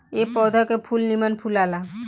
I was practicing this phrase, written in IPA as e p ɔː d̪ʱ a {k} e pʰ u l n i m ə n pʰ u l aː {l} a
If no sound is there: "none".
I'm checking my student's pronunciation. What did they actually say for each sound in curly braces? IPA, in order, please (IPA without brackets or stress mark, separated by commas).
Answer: k, l